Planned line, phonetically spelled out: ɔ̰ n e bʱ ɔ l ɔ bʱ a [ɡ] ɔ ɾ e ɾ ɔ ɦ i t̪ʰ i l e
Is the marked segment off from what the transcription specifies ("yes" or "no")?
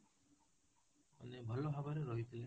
yes